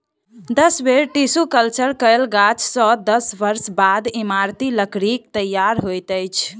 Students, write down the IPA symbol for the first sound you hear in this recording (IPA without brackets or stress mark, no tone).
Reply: d̪